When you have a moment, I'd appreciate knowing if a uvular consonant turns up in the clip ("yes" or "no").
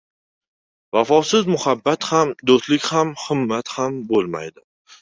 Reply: no